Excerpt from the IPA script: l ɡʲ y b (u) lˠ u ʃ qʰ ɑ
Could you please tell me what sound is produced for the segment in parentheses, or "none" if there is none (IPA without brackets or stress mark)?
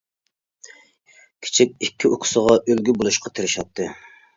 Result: o